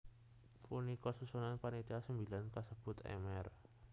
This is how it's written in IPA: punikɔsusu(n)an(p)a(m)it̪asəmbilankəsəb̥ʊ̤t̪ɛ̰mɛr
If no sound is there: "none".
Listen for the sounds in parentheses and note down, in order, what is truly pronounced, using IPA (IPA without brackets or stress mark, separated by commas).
n, p, n